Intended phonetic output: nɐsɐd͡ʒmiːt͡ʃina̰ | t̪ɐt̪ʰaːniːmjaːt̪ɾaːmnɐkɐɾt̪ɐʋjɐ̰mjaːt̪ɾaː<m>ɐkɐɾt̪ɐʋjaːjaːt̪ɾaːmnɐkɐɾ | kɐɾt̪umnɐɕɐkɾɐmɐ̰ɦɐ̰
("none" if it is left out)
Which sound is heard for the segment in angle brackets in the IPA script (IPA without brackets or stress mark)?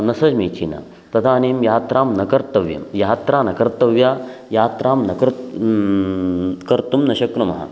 n